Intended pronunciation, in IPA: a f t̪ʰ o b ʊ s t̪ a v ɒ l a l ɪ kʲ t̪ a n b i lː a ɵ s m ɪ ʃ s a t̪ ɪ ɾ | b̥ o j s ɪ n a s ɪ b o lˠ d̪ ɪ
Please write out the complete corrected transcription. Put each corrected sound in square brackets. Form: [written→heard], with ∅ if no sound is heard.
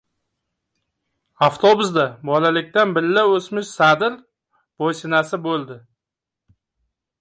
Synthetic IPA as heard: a f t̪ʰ o b ʊ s [t̪→d̪] a [v→b] ɒ l a l ɪ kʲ t̪ a n b [i→ɪ] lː a ɵ s m ɪ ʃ s a [t̪→d̪] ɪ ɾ | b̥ o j s ɪ n a s ɪ b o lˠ d̪ ɪ